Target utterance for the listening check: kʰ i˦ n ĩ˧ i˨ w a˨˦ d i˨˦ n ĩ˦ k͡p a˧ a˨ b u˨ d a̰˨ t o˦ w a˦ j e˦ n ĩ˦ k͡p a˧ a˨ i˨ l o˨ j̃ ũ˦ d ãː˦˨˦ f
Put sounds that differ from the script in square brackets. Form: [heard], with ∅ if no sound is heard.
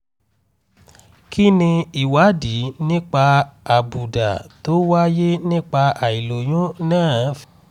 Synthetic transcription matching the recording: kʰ i˦ n ĩ˧ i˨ w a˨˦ d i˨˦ n ĩ˦ k͡p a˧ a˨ b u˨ d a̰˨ t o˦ w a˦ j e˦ n ĩ˦ k͡p a˧ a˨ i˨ l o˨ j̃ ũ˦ [n] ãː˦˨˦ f